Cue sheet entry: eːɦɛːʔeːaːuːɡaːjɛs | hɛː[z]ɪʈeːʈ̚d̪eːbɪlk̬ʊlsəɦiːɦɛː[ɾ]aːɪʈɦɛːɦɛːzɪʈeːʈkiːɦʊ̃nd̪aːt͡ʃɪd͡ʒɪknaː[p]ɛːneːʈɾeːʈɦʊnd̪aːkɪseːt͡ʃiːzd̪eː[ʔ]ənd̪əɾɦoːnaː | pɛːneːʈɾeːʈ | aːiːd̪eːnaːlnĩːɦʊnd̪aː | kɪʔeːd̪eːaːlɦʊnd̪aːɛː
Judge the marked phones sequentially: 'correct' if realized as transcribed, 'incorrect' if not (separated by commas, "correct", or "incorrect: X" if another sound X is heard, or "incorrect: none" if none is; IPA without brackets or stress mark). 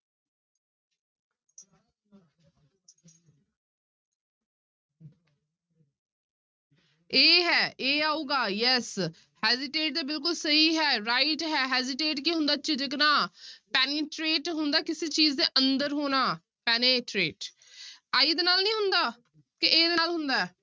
correct, correct, correct, correct